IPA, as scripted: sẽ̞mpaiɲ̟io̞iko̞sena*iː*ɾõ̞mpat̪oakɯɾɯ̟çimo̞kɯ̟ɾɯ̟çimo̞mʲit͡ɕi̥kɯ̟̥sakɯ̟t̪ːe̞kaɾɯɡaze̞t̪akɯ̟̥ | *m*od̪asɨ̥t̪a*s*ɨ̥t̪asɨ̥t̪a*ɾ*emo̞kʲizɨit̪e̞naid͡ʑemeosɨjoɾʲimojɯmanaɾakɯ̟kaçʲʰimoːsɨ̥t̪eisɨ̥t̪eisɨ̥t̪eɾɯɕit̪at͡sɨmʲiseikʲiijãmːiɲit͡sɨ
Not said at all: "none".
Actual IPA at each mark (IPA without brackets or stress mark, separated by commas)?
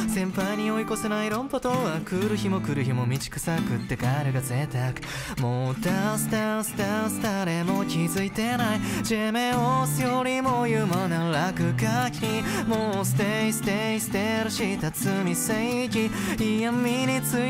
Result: i, m, s, ɾ